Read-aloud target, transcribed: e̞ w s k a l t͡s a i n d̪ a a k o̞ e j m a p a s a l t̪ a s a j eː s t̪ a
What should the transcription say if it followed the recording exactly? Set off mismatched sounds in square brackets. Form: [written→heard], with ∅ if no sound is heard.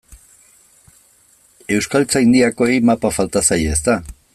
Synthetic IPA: e̞ w s k a l t͡s a i n d̪ [a→i] a k o̞ e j m a p a [s→f] a l t̪ a s a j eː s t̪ a